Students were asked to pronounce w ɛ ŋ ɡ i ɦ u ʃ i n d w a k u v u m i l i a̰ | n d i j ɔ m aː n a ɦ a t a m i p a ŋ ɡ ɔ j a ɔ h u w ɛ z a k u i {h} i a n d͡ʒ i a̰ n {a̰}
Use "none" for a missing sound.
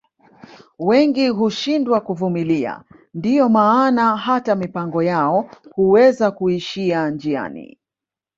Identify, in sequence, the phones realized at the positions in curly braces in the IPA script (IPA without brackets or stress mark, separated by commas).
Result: ʃ, ḭ